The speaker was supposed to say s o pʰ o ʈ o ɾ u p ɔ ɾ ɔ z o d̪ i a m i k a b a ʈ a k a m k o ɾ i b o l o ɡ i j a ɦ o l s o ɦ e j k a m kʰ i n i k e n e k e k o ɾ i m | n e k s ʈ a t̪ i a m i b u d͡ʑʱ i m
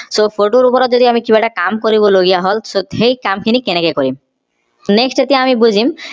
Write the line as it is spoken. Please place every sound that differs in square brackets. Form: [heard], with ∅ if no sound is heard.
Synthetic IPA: s o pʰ o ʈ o ɾ u p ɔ ɾ ɔ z o d̪ i a m i k [i] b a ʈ a k a m k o ɾ i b o l o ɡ i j a ɦ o l s o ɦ e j k a m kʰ i n i k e n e k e k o ɾ i m | n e k s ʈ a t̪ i a m i b u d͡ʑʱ i m